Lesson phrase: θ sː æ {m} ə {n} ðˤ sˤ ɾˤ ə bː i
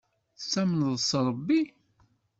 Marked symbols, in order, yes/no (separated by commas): yes, yes